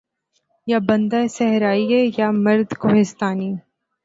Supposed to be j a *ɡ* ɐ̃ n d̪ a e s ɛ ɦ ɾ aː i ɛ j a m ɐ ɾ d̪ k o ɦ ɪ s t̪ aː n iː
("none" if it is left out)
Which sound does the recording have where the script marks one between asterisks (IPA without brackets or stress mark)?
b